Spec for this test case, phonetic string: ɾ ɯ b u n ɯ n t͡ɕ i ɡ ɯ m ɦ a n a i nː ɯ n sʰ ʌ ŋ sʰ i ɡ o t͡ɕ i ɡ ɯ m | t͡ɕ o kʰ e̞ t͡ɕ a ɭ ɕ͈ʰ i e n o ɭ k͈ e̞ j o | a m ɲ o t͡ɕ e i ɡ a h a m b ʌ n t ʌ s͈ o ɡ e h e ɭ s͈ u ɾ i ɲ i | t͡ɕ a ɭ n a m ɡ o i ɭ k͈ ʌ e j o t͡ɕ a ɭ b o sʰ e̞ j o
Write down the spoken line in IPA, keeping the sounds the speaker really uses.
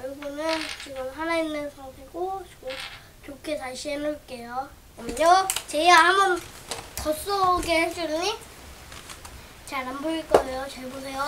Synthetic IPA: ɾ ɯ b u n ɯ n t͡ɕ i ɡ ɯ m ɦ a n a i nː ɯ n sʰ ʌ ŋ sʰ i ɡ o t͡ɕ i ɡ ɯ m | t͡ɕ o kʰ e̞ t͡ɕ a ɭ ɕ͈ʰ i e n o ɭ k͈ e̞ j o | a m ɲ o t͡ɕ e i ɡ a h a m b ʌ n t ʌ s͈ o ɡ e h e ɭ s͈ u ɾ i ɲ i | t͡ɕ a ɭ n a m b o i ɭ k͈ ʌ e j o t͡ɕ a ɭ b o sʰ e̞ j o